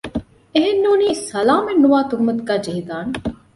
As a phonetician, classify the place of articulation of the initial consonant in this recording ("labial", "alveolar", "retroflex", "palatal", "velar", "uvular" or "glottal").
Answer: glottal